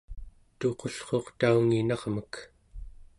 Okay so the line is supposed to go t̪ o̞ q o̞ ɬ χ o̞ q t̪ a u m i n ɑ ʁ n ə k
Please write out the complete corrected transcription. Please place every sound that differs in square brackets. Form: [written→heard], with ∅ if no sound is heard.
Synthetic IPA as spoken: t̪ o̞ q o̞ ɬ χ o̞ q t̪ a u [m→ŋ] i n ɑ ʁ [n→m] ə k